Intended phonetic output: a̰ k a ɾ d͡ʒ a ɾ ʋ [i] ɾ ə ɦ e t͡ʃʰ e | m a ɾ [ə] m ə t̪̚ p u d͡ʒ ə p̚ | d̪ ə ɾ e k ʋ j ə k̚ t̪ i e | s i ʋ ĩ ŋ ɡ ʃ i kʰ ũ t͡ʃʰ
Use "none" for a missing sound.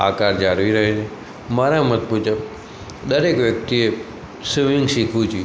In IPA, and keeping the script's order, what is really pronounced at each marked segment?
i, a

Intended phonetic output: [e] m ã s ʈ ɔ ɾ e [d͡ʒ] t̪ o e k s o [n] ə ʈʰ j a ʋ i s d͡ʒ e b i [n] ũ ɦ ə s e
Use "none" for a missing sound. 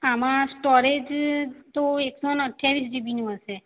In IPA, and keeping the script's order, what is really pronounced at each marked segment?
a, d͡ʒ, n, n

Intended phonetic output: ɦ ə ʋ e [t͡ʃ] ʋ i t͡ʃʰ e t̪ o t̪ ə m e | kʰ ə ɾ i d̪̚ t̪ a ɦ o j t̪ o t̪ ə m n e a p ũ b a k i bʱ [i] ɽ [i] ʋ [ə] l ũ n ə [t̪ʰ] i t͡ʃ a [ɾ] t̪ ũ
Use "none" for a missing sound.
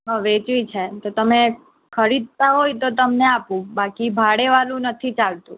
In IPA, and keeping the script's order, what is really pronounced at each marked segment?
t͡ʃ, a, e, a, t̪ʰ, l

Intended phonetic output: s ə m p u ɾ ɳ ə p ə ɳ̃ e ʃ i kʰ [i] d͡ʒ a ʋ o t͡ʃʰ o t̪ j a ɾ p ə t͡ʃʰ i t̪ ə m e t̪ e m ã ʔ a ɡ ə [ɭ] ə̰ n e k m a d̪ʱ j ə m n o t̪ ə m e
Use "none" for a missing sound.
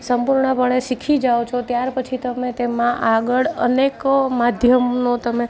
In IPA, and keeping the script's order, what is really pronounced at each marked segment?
i, ɭ

